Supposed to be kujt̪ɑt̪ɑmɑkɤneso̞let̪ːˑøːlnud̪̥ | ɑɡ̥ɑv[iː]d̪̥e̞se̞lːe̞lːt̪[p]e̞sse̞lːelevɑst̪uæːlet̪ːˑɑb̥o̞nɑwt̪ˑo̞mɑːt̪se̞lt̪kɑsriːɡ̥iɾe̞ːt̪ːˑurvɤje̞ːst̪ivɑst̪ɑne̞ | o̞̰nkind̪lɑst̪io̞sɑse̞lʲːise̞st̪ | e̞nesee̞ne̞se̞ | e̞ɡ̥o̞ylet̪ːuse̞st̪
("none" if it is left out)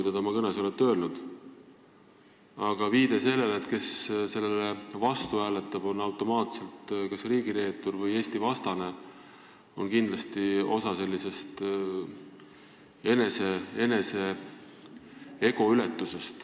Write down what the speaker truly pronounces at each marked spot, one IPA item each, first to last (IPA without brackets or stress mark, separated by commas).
iː, k